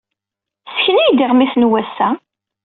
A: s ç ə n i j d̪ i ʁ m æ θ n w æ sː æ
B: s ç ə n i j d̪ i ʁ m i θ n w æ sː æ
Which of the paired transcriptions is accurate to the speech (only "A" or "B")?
B